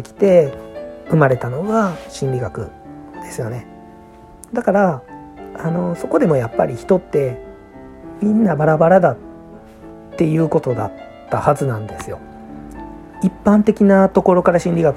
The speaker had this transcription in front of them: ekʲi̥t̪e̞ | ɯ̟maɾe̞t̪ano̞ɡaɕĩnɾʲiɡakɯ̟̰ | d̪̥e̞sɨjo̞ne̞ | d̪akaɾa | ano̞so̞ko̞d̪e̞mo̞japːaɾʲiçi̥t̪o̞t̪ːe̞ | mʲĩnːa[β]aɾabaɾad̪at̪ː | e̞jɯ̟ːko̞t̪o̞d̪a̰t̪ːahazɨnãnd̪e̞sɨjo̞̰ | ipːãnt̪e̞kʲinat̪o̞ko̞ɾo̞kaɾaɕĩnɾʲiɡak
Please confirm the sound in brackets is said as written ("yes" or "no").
no